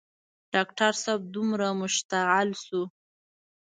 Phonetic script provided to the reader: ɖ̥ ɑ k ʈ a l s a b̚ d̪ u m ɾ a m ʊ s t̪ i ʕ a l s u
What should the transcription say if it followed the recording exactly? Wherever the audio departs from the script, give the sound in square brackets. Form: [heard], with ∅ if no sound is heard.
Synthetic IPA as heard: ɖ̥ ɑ k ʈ a [ɾ] s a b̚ d̪ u m ɾ a m ʊ [ʃ] t̪ [a] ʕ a l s u